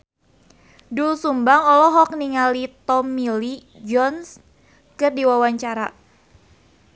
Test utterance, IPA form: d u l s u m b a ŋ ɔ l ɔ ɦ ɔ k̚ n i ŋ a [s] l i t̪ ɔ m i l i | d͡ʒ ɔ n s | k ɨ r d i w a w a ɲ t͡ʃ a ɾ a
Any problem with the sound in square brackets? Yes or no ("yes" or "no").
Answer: yes